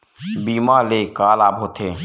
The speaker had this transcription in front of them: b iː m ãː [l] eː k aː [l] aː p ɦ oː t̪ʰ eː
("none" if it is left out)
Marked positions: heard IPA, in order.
l, l

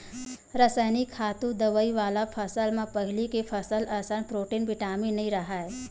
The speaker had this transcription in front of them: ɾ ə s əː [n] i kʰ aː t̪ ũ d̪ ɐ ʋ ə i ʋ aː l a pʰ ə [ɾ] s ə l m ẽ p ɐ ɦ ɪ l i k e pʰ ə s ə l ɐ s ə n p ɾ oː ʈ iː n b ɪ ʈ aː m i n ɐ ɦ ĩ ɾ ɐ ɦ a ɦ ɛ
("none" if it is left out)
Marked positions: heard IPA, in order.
n, none

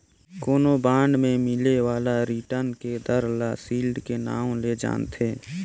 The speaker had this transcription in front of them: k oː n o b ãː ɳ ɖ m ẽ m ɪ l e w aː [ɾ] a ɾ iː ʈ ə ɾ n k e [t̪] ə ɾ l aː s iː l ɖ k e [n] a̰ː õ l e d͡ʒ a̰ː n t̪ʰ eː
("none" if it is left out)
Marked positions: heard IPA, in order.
l, d̪, n

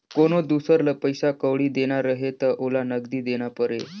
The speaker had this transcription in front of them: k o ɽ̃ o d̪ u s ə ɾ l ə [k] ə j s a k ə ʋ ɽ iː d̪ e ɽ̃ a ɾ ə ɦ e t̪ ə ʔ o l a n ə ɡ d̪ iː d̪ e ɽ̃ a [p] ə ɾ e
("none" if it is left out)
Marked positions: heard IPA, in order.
p, p

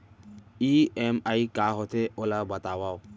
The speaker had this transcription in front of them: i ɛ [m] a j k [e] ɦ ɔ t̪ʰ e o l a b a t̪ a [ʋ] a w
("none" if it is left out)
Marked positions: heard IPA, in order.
m, a, w

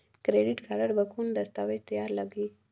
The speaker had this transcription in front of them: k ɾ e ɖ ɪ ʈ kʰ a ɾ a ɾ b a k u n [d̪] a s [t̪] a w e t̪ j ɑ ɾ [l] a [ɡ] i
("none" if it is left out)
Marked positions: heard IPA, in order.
d̪, t̪, l, ɡ

